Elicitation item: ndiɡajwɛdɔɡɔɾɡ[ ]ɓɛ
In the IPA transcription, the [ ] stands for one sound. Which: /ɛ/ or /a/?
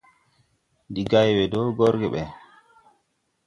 ɛ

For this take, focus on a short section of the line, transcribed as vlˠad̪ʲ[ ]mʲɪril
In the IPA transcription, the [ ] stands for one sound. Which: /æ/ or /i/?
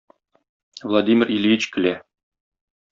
i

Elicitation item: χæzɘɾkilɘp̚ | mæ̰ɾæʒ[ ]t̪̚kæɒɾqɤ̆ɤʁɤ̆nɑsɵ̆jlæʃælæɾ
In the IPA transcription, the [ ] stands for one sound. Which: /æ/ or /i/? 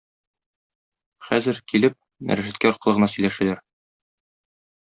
æ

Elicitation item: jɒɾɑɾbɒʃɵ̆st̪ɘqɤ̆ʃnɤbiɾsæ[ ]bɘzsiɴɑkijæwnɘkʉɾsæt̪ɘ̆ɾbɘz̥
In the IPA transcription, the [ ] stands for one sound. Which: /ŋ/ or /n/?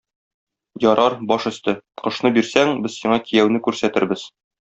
ŋ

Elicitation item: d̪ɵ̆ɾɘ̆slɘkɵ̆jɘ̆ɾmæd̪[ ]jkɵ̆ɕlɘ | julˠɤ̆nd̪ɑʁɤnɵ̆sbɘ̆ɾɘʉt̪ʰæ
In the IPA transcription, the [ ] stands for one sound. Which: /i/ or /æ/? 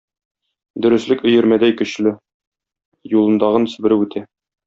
æ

